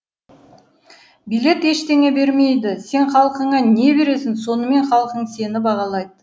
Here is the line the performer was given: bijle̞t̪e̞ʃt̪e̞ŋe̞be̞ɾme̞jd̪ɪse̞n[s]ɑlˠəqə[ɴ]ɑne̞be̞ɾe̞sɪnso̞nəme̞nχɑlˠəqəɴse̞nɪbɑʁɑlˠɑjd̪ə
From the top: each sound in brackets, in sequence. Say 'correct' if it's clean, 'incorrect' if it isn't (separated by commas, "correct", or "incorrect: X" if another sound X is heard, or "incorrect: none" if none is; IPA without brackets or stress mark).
incorrect: χ, correct